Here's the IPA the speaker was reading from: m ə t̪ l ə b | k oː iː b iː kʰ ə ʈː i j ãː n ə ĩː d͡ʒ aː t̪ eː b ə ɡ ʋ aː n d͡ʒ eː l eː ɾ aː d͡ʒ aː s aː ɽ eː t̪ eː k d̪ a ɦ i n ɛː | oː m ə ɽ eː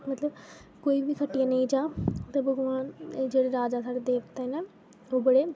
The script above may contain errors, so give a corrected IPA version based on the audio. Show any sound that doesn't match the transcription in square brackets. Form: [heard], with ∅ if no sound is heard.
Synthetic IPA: m ə t̪ l ə b | k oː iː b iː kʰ ə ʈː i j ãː n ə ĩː d͡ʒ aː t̪ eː b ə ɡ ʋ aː n d͡ʒ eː [ɽ] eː ɾ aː d͡ʒ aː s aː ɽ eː [d̪] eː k [t̪] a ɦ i n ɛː | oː [b] ə ɽ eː

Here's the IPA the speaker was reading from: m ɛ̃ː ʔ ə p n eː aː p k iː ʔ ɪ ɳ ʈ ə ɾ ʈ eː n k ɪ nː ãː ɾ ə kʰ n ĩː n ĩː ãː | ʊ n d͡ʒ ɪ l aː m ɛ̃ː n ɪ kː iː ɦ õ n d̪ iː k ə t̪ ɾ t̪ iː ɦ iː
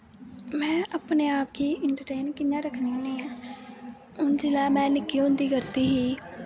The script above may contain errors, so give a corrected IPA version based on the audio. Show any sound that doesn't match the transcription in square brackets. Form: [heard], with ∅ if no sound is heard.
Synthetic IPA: m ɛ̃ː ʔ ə p n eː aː p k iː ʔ ɪ ɳ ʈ ə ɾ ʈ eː n k ɪ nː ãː ɾ ə kʰ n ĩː n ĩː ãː | ʊ n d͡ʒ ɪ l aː m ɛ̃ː n ɪ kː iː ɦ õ n d̪ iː k ə [∅] ɾ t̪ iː ɦ iː

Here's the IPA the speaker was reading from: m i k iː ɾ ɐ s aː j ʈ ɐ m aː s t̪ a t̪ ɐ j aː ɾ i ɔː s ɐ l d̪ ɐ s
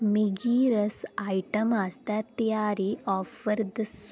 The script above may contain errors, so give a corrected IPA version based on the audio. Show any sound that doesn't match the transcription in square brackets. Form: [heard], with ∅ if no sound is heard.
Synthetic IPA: m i [ɡ] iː ɾ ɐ s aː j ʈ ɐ m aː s t̪ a t̪ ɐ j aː ɾ i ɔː [f] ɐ [ɾ] d̪ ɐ s

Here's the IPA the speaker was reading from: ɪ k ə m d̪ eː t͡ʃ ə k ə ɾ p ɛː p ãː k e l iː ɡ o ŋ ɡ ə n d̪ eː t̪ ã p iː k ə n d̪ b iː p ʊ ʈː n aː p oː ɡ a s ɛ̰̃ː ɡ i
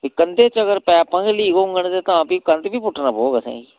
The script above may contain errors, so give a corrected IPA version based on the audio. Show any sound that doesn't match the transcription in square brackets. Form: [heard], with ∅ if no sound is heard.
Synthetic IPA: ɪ k ə [n] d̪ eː t͡ʃ ə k ə ɾ p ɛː p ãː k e l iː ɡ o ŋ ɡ ə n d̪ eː t̪ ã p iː k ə n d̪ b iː p ʊ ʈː n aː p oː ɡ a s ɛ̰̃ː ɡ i

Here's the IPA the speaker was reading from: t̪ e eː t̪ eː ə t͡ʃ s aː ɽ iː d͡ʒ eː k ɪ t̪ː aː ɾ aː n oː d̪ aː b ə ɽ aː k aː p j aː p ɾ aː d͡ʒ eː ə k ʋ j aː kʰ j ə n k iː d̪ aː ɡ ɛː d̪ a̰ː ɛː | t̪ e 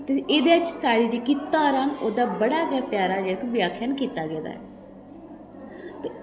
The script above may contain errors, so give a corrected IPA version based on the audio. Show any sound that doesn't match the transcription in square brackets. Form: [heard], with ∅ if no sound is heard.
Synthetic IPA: t̪ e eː [d̪] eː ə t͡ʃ s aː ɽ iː d͡ʒ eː k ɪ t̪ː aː ɾ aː n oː d̪ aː b ə ɽ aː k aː p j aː [∅] ɾ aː d͡ʒ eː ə k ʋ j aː kʰ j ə n k iː [t̪] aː ɡ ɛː d̪ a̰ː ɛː | t̪ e

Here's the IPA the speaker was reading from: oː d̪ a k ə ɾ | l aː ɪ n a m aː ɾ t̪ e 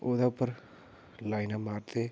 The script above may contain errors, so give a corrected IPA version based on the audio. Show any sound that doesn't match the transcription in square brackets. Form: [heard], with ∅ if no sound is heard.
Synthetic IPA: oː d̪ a [p] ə ɾ | l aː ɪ n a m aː ɾ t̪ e

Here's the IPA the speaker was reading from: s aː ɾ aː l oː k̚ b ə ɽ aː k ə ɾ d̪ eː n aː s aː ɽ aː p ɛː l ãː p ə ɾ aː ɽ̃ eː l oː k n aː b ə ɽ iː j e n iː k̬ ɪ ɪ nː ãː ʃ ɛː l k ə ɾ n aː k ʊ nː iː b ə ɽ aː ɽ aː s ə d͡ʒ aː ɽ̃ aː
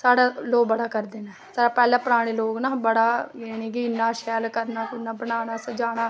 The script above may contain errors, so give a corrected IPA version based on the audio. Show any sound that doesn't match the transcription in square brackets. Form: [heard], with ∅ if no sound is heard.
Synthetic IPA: s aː [ɽ] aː l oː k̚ b ə ɽ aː k ə ɾ d̪ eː n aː s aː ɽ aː p ɛː l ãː p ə ɾ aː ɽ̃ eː l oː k n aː b ə ɽ [aː] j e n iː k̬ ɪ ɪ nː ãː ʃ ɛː l k ə ɾ n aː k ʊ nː [aː] b ə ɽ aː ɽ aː s ə d͡ʒ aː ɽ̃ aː

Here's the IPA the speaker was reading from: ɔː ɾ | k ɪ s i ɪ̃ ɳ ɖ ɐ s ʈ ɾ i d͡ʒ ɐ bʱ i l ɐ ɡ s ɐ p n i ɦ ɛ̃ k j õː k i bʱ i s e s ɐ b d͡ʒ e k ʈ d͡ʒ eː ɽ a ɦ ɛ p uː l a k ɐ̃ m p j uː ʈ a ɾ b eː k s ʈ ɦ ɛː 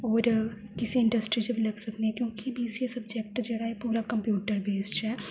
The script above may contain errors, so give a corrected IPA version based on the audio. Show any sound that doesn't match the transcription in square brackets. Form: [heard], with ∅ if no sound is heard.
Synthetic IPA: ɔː ɾ | k ɪ s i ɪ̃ ɳ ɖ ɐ s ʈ ɾ i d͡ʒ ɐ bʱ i l ɐ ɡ s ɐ [k] n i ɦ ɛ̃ k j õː k i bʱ i s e s ɐ b d͡ʒ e k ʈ d͡ʒ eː ɽ a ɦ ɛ p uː [ɾ] a k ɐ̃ m p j uː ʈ [ə] ɾ b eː [∅] s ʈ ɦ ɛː

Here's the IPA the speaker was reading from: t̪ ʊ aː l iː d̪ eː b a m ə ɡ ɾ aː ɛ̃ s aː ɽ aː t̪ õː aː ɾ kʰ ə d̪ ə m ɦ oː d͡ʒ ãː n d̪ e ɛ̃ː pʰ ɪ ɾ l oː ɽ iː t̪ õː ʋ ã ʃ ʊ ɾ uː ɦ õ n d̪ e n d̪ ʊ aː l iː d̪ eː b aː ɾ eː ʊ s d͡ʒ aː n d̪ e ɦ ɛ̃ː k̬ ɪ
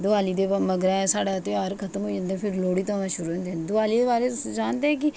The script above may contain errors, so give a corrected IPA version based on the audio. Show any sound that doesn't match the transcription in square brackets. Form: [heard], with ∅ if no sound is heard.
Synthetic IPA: [d̪] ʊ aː l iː d̪ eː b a m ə ɡ ɾ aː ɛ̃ s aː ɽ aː t̪ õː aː ɾ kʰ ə [t̪] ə m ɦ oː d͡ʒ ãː n d̪ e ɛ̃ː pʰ ɪ ɾ l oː ɽ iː t̪ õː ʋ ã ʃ ʊ ɾ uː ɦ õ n d̪ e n d̪ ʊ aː l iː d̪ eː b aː ɾ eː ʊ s d͡ʒ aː n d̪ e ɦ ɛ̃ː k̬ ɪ

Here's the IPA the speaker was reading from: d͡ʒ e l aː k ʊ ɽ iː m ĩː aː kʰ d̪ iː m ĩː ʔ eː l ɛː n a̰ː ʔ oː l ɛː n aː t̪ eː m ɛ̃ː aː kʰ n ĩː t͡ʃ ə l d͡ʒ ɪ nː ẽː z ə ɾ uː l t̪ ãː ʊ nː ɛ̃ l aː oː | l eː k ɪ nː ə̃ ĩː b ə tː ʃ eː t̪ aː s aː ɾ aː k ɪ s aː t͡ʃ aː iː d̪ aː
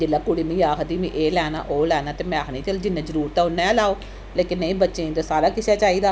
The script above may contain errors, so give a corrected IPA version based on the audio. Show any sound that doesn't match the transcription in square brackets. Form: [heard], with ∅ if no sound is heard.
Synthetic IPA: d͡ʒ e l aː k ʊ ɽ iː m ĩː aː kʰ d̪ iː m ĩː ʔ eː l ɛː n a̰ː ʔ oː l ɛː n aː t̪ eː m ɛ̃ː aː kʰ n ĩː t͡ʃ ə l d͡ʒ ɪ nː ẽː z ə ɾ uː [ɾ] t̪ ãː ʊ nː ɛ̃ l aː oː | l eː k ɪ nː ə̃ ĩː b ə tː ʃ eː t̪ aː s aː ɾ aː k ɪ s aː t͡ʃ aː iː d̪ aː

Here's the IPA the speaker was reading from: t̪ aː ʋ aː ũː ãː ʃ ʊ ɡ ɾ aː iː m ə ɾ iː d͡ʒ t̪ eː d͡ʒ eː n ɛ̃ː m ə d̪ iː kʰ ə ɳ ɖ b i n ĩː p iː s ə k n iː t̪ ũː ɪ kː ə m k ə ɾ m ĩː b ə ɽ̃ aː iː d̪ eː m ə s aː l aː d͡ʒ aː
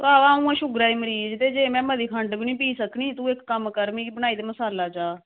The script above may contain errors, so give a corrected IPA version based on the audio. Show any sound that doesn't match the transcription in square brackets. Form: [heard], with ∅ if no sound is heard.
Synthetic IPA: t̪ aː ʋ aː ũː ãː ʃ ʊ ɡ ɾ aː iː m ə ɾ iː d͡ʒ t̪ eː d͡ʒ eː [m] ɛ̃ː m ə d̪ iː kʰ ə ɳ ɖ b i n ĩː p iː s ə k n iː t̪ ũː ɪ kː ə m k ə ɾ m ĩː b ə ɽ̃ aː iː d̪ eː m ə s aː l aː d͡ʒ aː

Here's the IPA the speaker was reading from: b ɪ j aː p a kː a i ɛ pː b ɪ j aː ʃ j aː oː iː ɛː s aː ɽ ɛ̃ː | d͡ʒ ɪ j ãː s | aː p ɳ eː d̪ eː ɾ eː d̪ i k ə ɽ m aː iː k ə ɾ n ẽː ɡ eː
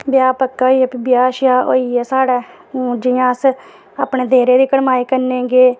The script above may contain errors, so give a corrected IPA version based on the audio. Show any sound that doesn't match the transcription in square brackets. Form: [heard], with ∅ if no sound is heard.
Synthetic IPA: b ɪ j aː p [ə] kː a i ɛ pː b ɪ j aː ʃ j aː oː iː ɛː s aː ɽ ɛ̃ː | d͡ʒ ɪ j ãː s | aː p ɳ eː d̪ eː ɾ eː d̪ [iː] k ə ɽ m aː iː k ə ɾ n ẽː ɡ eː

